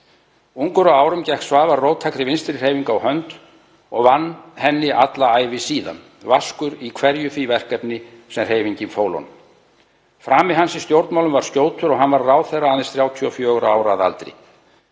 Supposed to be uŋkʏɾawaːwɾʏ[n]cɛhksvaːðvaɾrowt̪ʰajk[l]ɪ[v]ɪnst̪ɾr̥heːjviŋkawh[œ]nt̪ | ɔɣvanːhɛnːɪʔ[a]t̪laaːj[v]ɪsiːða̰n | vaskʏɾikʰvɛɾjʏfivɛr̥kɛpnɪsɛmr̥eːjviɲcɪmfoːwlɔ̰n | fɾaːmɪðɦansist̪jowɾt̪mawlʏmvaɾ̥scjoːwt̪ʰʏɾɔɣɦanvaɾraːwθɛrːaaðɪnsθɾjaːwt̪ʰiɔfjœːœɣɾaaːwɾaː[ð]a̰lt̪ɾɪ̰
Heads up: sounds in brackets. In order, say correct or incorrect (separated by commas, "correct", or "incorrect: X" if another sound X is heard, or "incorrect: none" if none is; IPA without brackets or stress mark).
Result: incorrect: m, incorrect: ɾ, correct, correct, correct, correct, correct